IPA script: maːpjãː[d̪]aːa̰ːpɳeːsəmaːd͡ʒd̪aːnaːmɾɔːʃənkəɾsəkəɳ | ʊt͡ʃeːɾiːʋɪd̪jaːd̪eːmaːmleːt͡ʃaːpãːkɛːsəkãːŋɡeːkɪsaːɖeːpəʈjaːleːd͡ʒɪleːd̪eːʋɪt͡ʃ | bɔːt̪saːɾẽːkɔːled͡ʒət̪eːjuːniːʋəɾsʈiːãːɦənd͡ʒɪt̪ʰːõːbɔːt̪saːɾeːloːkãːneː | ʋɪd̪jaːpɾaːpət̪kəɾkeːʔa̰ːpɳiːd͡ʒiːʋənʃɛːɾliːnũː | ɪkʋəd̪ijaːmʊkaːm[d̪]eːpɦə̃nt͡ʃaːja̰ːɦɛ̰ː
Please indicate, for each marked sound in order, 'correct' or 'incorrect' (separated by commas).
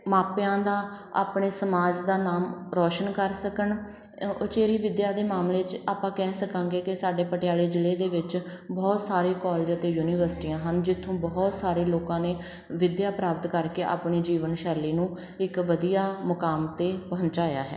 correct, incorrect